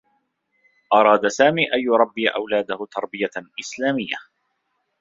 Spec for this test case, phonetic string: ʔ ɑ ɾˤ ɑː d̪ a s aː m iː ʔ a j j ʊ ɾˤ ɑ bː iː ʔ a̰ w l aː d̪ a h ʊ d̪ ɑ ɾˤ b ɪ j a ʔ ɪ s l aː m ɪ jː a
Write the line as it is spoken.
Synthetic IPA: ʔ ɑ ɾˤ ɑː d̪ a s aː m iː ʔ a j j ʊ ɾˤ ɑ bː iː ʔ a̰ w l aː d̪ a h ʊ t̪ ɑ ɾˤ b ɪ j a ʔ ɪ s l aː m ɪ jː a